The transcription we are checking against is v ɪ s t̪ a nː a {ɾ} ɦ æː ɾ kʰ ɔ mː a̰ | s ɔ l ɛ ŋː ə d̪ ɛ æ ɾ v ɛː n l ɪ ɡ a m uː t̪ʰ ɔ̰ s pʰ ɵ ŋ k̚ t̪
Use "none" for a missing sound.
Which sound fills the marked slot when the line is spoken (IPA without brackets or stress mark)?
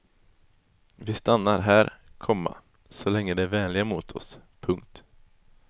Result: ɾ